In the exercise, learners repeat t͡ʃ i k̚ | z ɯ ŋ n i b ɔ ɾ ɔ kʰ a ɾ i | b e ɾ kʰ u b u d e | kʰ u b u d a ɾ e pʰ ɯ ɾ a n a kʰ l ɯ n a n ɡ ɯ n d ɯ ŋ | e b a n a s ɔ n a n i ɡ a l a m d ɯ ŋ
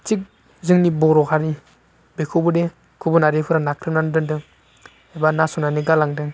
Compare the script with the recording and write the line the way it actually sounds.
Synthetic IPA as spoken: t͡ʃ i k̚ | z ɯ ŋ n i b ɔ ɾ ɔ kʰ a ɾ i | b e kʰ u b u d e | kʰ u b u n a ɾ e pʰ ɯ ɾ a n a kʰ ɾ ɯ n a n d ɯ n d ɯ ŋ | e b a n a s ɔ n a n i ɡ a l a ŋ d ɯ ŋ

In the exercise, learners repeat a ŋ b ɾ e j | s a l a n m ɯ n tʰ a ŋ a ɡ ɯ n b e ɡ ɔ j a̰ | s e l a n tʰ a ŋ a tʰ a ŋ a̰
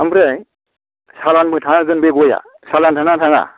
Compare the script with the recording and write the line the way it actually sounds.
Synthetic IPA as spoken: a m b ɾ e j | s a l a n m ɯ tʰ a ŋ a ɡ ɯ n b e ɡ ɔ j a̰ | s a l a n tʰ a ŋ a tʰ a ŋ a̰

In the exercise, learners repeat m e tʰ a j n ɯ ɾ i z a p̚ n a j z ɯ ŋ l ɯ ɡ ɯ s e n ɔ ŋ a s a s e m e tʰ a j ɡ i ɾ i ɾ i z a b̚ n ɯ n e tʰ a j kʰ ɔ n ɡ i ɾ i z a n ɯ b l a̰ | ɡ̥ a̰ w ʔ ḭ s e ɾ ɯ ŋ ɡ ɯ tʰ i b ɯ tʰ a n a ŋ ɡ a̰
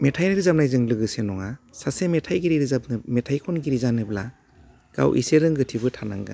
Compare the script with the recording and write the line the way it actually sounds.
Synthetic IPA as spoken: m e tʰ a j n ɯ ɾ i z a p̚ n a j z ɯ ŋ l ɯ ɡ ɯ s e n ɔ ŋ a s a s e m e tʰ a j ɡ i ɾ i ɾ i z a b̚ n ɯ m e tʰ a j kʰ ɔ n ɡ i ɾ i z a n ɯ b l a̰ | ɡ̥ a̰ w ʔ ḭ s e ɾ ɯ ŋ ɡ ɯ tʰ i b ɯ tʰ a n a ŋ ɡ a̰

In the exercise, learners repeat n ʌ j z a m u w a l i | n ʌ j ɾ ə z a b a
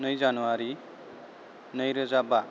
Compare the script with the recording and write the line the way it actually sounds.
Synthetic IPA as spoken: n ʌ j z a n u w a ɾ i | n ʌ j ɾ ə z a b a

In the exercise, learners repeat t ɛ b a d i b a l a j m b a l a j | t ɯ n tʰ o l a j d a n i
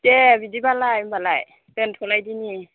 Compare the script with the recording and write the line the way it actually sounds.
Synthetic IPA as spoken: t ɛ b i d i b a l a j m b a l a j | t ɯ n tʰ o l a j d i n i

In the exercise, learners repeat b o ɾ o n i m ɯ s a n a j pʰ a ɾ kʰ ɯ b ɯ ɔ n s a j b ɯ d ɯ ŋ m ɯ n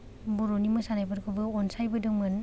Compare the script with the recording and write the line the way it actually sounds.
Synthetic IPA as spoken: b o ɾ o n i m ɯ s a n a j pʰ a ɾ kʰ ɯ b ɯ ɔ n s a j b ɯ d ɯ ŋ m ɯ n

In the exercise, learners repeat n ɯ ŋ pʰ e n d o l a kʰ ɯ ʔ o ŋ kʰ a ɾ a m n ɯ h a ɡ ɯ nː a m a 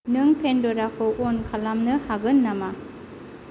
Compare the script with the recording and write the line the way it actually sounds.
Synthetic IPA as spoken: n ɯ ŋ pʰ e n d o ɾ a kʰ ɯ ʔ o n kʰ a l a m n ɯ h a ɡ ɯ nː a m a

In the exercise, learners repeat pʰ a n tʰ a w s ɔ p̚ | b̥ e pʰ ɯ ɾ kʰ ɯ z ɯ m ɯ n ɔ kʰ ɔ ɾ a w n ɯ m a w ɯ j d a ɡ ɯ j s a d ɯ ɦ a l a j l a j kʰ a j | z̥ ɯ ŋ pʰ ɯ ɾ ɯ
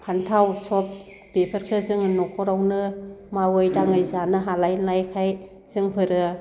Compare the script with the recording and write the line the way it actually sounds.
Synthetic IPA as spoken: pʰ a n tʰ a w s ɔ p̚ | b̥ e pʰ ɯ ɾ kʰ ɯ z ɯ ŋ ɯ n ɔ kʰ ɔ ɾ a w n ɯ m a w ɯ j d a ŋ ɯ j z a n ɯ ɦ a l a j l a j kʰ a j | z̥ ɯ ŋ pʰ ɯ ɾ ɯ

